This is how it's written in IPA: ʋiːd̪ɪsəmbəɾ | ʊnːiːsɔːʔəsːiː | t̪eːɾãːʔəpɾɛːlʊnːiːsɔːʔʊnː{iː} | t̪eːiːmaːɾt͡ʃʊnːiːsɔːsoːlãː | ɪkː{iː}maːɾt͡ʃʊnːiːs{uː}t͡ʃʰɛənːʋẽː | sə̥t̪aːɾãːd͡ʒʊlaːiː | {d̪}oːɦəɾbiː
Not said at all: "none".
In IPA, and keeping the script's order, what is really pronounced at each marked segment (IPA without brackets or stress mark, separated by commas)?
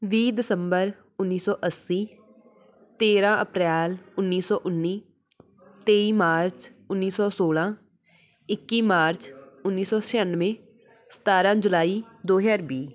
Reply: iː, iː, ɔː, d̪